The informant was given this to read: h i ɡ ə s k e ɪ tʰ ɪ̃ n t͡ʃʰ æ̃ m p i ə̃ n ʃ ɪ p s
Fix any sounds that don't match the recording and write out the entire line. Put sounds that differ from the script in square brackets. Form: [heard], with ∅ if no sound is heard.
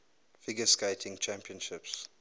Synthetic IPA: [f] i ɡ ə s k e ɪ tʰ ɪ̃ [ŋ] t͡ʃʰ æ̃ m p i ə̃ n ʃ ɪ p s